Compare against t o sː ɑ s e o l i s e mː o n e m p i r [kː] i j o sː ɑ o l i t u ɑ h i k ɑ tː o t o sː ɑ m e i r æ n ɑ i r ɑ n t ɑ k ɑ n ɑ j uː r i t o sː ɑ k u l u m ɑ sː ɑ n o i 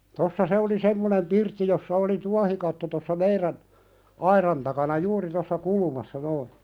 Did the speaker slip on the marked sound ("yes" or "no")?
yes